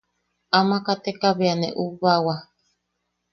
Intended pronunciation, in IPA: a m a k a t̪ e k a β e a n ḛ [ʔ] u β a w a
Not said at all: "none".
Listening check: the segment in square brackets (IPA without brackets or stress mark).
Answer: ʔ